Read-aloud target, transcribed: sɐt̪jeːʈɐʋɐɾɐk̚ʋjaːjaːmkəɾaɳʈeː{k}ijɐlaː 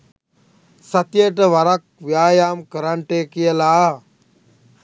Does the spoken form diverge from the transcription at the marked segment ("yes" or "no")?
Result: no